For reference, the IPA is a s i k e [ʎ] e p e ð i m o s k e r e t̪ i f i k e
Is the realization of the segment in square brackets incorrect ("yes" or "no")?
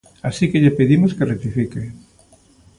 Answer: no